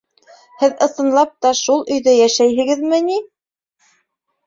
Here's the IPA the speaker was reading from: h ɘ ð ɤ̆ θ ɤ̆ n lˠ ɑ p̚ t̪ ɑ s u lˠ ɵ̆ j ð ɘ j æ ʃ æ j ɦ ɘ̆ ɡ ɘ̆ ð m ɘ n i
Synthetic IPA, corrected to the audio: h ɘ ð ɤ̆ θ ɤ̆ n lˠ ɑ p̚ t̪ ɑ ʃ u lˠ ɵ̆ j ð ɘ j æ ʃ æ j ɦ ɘ̆ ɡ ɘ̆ ð m ɘ n i